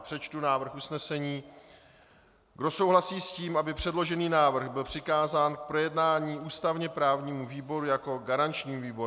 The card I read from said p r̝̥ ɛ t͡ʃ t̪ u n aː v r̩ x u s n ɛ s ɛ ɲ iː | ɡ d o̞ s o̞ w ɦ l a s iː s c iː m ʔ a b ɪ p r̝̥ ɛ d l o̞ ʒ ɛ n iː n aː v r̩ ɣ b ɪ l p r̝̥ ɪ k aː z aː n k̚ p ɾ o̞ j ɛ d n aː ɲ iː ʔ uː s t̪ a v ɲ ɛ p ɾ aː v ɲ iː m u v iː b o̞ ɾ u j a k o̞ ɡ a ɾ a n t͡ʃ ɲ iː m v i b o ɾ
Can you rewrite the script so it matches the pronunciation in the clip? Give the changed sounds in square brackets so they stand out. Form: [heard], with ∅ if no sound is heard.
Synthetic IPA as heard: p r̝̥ ɛ t͡ʃ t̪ u n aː v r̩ x u s n ɛ s ɛ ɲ iː | ɡ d o̞ s o̞ w ɦ l a s iː s c iː m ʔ a b ɪ p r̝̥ ɛ d l o̞ ʒ ɛ n iː n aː v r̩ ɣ b ɪ l p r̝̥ ɪ k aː z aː n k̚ p ɾ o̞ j ɛ d n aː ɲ iː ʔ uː s t̪ a v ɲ ɛ p ɾ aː v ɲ iː m u v iː b o̞ ɾ u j a k o̞ ɡ a ɾ a n t͡ʃ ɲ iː m v [iː] b o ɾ